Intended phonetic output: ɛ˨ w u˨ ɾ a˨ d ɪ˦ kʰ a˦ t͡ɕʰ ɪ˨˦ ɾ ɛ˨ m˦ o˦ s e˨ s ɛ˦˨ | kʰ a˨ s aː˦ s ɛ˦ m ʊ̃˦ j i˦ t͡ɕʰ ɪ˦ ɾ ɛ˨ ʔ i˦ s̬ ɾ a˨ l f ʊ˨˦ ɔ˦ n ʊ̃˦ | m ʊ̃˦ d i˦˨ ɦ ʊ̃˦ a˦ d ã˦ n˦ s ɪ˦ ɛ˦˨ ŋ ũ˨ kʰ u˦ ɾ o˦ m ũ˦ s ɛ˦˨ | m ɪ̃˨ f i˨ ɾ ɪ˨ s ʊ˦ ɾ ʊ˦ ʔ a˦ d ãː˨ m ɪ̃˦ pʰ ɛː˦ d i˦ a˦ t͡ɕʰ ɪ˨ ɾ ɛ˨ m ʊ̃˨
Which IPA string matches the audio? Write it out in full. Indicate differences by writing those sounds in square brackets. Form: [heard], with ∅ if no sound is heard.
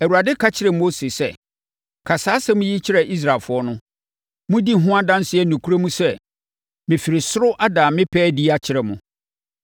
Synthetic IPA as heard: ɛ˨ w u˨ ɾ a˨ d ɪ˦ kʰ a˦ t͡ɕʰ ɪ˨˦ ɾ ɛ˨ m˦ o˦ s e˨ s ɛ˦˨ | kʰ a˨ s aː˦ s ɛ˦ m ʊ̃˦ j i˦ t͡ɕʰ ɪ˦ ɾ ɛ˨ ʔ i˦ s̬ ɾ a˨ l f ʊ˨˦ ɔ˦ n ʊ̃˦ | m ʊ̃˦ d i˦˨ ɦ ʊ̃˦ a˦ d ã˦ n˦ s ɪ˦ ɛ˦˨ [n] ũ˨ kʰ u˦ ɾ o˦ m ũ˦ s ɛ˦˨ | m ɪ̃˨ f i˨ ɾ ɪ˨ s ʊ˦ ɾ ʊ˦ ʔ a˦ d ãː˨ m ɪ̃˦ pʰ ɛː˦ d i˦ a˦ t͡ɕʰ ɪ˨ ɾ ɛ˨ m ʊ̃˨